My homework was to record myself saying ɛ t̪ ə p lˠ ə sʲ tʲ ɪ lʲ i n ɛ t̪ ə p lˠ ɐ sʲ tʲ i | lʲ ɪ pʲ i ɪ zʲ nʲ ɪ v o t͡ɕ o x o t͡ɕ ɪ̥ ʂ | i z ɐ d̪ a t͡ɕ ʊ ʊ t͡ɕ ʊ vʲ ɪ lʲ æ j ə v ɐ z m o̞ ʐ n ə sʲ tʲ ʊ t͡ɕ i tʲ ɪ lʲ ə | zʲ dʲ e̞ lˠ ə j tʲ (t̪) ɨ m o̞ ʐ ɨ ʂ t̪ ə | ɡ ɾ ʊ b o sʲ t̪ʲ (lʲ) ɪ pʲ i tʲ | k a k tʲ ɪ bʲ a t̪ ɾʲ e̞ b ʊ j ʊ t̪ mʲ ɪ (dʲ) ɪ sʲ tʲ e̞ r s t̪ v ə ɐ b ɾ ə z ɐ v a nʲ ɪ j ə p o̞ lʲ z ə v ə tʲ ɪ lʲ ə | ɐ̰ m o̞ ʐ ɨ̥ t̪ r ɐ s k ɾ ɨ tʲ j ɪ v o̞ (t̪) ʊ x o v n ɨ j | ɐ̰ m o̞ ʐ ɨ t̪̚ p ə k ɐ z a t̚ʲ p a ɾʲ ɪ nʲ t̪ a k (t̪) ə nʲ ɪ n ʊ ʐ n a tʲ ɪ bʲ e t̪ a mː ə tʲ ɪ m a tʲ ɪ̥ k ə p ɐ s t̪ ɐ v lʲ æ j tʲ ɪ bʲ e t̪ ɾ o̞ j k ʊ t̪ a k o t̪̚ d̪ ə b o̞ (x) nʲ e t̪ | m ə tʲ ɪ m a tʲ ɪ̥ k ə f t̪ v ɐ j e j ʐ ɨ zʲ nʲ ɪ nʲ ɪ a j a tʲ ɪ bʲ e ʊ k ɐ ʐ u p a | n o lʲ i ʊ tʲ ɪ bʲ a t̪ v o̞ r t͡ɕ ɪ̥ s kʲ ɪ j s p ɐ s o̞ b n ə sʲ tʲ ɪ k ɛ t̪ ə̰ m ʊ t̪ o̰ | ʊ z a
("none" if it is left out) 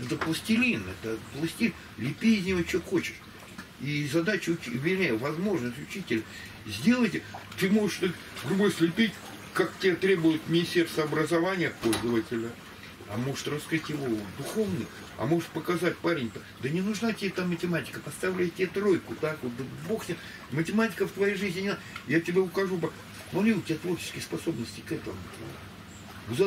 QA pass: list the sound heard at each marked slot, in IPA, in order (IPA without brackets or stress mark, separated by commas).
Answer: t̪, lʲ, nʲ, d̪, d̪, x